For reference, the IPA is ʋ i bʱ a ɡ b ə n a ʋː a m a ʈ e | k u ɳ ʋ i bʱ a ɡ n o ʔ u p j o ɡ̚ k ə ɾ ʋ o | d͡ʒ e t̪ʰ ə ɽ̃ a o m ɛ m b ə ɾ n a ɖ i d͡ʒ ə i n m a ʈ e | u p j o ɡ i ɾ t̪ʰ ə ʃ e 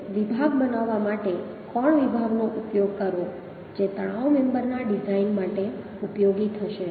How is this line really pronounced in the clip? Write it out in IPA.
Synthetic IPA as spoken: ʋ i bʱ a ɡ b ə n a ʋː a m a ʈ e | k ɔ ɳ ʋ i bʱ a ɡ n o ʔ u p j o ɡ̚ k ə ɾ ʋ o | d͡ʒ e t̪ ə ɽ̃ a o m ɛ m b ə ɾ n a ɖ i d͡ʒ a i n m a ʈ e | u p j o ɡ i t̪ʰ ə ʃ e